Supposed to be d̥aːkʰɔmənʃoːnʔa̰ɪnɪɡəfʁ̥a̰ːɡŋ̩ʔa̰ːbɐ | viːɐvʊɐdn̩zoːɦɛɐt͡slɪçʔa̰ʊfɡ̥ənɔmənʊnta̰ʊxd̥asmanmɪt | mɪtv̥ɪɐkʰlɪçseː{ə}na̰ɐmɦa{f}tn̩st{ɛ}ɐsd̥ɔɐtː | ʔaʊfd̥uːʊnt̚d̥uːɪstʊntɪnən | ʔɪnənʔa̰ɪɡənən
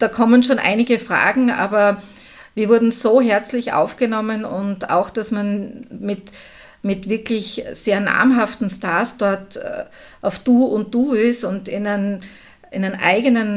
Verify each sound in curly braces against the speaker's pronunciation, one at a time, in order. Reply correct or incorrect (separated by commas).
incorrect, correct, incorrect